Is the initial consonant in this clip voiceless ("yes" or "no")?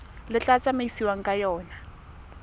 no